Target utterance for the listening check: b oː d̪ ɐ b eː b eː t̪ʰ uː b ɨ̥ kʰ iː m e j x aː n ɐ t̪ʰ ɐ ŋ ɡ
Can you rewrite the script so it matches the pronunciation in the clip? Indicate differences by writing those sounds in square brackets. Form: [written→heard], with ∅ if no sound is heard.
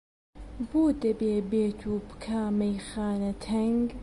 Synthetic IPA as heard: b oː d̪ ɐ b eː b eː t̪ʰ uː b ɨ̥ kʰ [iː→aː] m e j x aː n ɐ t̪ʰ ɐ ŋ ɡ